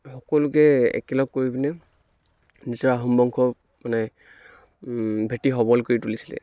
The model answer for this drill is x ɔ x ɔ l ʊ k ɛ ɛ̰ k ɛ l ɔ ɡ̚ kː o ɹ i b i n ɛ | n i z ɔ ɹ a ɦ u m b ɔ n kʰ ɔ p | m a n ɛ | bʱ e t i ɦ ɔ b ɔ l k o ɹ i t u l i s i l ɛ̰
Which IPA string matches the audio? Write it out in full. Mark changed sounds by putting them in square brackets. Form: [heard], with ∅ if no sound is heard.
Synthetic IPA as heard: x ɔ [k] ɔ l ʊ k ɛ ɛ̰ k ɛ l ɔ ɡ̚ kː o ɹ i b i n ɛ | n i z ɔ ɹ a ɦ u m b ɔ [ŋ] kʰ ɔ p | m a n ɛ | bʱ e t i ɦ ɔ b ɔ l k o ɹ i t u l i s i l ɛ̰